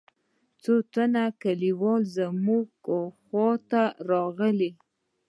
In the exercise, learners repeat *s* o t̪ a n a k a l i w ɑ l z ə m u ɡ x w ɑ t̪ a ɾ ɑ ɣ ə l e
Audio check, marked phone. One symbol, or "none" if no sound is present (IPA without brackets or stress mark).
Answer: t͡s